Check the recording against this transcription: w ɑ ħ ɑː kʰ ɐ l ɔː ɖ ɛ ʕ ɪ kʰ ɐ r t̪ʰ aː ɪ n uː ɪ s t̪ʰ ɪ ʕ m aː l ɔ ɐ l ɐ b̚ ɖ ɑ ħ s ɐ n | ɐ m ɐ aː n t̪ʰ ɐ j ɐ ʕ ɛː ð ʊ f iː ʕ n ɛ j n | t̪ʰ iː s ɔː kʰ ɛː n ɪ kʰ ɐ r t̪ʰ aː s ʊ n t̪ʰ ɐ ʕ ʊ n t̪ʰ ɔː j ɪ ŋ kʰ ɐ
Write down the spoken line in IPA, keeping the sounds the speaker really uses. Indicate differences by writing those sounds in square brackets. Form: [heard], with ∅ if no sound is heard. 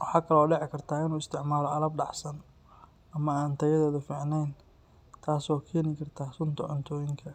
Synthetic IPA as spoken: w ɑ ħ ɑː kʰ ɐ l ɔː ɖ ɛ ʕ ɪ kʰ ɐ r t̪ʰ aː ɪ n uː ɪ s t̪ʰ ɪ ʕ m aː l ɔ ɐ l ɐ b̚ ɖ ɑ ħ s ɐ n | ɐ m ɐ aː n t̪ʰ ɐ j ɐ [ð] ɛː ð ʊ f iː ʕ n ɛ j n | t̪ʰ [aː] s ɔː kʰ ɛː n ɪ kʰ ɐ r t̪ʰ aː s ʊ n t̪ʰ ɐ ʕ ʊ n t̪ʰ ɔː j ɪ ŋ kʰ ɐ